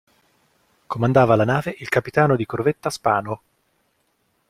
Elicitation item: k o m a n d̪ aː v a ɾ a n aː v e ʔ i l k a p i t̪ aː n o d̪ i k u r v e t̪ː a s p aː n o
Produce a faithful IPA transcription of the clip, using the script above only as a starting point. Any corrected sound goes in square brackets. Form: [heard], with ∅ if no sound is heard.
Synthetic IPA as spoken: k o m a n d̪ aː v a [l] a n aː v e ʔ i l k a p i t̪ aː n o d̪ i k [o] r v e t̪ː a s p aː n o